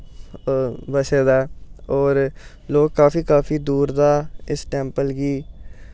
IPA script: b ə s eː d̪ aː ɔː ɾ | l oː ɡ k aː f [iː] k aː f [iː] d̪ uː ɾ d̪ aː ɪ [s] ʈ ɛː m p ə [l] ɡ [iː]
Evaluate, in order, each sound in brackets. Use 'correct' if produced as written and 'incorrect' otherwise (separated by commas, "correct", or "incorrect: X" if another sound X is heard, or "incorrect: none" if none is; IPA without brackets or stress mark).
correct, correct, correct, correct, correct